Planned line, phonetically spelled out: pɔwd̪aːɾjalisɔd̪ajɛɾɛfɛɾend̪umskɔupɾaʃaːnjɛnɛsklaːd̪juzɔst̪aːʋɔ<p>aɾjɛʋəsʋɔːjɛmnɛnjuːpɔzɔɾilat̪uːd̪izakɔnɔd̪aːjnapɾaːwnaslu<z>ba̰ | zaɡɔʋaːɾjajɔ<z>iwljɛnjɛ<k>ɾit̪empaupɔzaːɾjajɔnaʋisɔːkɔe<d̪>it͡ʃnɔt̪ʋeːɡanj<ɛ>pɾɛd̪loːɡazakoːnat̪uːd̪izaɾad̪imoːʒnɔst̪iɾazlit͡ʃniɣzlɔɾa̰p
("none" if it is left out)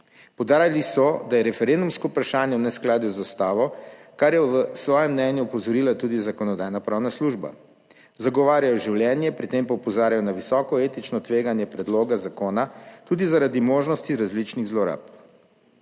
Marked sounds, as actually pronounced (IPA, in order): k, ʒ, ʒ, p, t̪, ɛ

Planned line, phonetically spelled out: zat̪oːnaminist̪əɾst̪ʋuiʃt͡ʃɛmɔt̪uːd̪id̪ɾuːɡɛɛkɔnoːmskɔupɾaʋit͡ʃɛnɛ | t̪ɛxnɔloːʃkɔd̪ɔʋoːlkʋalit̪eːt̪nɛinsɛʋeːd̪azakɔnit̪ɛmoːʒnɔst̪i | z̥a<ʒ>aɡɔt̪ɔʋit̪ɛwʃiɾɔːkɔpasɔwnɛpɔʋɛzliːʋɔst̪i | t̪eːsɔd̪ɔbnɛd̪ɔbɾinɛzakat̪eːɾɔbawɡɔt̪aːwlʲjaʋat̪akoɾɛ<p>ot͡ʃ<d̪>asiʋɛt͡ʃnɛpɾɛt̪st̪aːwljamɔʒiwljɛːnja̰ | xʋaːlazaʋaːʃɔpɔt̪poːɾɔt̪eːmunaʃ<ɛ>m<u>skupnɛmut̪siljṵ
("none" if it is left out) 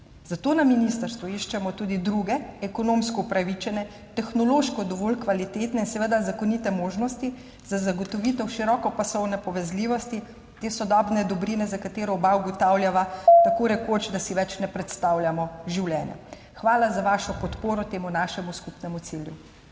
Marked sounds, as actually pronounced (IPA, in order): z, k, d̪, ɛ, u

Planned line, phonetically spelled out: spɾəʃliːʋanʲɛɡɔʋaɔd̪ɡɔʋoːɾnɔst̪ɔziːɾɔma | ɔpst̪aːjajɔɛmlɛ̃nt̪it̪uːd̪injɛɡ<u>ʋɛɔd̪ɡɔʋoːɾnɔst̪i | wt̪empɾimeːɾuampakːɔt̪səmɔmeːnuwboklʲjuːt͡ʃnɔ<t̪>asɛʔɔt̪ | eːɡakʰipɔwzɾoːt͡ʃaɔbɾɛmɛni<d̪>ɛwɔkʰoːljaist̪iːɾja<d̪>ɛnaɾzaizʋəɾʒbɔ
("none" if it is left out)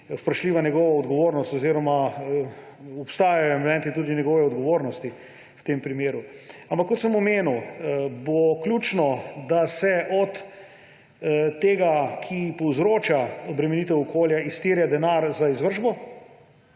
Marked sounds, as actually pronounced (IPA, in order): ɔ, d̪, t̪, d̪

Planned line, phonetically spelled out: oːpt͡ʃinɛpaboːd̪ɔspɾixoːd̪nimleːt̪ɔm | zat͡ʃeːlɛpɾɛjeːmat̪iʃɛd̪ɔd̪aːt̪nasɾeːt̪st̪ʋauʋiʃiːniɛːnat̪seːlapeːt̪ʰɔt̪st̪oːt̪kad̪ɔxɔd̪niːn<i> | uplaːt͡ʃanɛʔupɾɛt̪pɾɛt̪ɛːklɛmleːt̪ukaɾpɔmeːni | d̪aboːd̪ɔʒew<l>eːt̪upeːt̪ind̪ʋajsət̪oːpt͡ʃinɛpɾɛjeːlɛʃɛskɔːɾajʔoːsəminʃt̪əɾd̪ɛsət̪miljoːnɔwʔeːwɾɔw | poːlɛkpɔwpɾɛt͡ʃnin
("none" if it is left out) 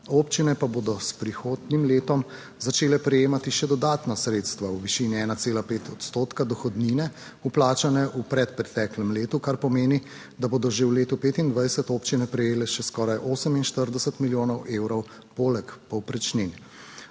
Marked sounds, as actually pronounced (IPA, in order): ɛ, l

